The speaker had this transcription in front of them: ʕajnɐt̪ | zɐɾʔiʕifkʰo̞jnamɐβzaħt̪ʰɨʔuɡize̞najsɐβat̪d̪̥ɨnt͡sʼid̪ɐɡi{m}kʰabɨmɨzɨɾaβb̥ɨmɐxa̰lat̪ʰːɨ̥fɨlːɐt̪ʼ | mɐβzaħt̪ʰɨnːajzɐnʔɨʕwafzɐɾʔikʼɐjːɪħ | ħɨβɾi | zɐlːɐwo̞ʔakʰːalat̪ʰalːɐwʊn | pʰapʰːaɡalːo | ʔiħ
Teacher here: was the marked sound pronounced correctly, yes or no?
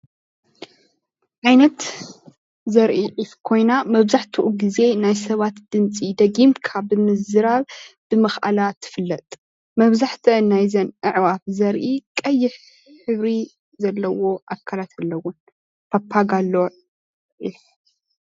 yes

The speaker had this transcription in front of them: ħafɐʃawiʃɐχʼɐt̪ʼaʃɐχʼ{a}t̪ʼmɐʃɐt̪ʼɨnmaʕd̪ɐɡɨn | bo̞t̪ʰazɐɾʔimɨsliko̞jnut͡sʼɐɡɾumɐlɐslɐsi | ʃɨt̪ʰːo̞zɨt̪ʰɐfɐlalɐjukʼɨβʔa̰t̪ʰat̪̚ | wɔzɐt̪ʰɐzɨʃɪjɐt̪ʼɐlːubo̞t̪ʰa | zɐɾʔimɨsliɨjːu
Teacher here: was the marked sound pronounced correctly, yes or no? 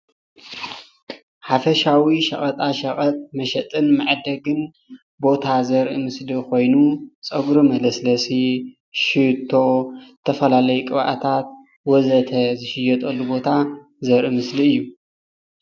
no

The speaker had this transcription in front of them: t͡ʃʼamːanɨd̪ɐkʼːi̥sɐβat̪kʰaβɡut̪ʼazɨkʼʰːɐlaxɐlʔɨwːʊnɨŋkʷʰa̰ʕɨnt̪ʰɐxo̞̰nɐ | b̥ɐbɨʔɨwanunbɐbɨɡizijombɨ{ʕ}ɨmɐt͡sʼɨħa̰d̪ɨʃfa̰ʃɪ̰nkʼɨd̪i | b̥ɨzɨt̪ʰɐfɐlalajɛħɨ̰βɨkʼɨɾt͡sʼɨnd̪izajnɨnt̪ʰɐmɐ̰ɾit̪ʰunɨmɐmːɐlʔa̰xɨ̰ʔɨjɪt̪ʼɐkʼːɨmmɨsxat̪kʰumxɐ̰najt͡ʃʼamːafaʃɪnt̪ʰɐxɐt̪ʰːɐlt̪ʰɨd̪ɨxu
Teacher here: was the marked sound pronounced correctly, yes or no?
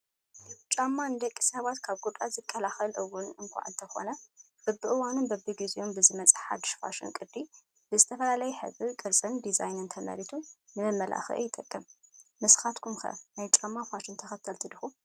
no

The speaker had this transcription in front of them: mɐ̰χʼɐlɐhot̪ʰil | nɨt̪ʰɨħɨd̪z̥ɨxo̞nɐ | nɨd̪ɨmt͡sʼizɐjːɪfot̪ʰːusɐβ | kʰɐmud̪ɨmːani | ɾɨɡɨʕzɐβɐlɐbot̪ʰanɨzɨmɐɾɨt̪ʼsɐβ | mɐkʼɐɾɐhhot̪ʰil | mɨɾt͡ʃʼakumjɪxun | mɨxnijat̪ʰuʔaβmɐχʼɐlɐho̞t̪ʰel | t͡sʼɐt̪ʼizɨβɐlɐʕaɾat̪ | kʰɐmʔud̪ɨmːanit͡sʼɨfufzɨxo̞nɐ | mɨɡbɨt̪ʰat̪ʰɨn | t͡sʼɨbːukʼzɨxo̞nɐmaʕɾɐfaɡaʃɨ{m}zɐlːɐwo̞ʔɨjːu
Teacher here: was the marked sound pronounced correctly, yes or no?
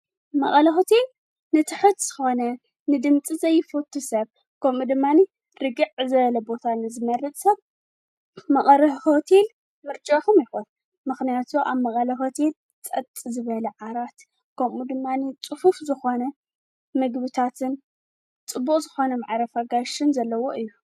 no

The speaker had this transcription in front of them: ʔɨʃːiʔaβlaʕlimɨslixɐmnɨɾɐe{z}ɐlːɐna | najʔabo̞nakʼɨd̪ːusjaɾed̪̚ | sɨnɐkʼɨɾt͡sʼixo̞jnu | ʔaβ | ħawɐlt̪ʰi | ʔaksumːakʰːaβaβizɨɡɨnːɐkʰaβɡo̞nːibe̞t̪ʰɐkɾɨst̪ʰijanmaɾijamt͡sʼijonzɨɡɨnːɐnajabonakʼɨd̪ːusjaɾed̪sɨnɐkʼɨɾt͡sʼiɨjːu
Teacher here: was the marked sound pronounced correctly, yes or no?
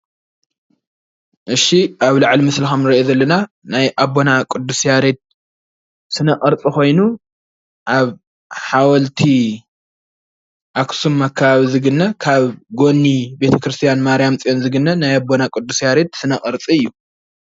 yes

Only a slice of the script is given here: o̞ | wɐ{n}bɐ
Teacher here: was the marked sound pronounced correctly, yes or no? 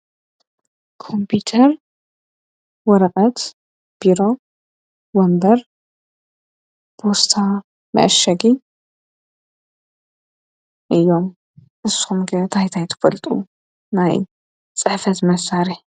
no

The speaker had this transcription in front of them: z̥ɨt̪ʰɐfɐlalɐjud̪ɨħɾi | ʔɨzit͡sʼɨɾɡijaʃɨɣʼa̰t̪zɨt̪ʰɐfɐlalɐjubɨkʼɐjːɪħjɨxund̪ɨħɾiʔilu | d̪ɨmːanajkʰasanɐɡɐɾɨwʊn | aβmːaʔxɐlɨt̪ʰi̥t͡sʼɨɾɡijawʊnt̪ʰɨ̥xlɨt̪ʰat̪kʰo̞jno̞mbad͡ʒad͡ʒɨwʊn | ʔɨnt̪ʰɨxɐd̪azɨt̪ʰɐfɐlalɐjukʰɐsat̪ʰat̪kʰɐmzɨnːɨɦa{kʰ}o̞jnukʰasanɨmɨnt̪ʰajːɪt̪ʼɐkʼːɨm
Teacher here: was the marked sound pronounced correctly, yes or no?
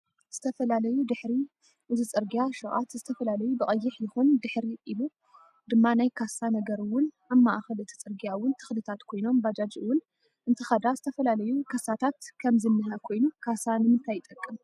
yes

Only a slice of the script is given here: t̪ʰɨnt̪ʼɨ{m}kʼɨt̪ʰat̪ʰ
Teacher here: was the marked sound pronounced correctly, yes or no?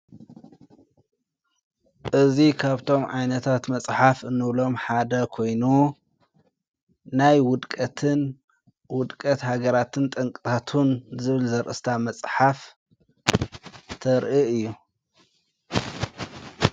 no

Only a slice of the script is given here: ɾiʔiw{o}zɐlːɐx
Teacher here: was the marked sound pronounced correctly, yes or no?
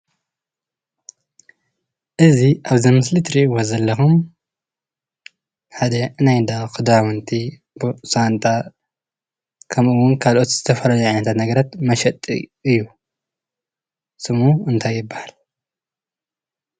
yes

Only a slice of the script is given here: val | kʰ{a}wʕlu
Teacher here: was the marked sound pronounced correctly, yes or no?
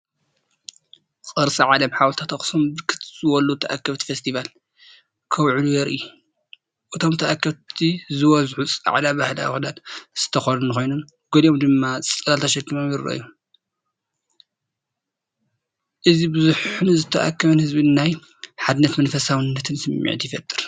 no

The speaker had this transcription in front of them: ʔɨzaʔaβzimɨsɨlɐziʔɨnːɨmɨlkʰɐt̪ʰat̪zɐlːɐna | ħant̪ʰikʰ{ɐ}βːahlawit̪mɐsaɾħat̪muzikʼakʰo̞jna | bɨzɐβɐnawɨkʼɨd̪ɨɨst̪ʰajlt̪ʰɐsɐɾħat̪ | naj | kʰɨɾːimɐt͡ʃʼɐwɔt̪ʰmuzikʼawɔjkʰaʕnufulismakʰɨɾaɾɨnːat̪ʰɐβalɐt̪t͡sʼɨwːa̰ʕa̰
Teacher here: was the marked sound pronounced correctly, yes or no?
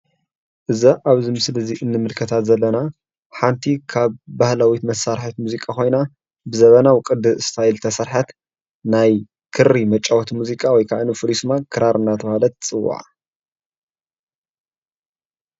no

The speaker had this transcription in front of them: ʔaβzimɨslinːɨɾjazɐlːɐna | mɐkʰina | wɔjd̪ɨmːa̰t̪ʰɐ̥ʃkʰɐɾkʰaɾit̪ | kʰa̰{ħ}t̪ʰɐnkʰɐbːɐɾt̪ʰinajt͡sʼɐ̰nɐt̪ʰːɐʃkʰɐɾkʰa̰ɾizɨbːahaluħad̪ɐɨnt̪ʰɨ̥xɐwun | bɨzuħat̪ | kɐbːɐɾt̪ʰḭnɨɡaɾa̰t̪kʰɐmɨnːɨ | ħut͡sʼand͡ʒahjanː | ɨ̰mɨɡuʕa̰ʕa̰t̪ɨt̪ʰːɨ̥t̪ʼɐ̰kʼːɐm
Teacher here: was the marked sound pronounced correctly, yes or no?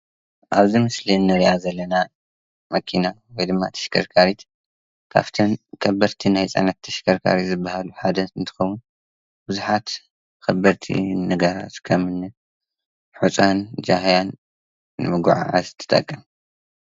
no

